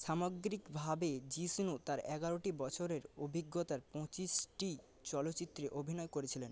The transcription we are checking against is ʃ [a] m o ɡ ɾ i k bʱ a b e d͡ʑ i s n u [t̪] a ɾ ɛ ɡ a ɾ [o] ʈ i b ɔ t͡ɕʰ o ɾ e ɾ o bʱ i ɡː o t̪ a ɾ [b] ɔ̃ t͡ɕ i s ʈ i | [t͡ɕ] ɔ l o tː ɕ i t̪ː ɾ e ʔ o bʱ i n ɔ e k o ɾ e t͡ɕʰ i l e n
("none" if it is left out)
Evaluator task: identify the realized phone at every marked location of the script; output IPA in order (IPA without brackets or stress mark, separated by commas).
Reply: a, t̪, o, p, t͡ɕ